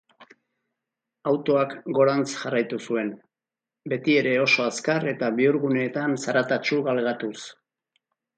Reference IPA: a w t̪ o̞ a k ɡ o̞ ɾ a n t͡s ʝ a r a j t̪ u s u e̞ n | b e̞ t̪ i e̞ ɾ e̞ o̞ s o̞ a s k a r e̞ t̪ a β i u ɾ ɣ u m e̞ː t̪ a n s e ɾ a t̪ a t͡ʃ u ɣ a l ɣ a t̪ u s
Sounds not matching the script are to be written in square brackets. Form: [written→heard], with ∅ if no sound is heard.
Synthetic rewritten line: a w t̪ o̞ a k ɡ o̞ ɾ a n t͡s ʝ a r a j t̪ u s u e̞ n | b e̞ t̪ i e̞ ɾ e̞ o̞ s o̞ a s k a r e̞ t̪ a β i u ɾ ɣ u [m→n] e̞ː t̪ a n s [e→a] ɾ a t̪ a t͡ʃ u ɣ a l ɣ a t̪ u s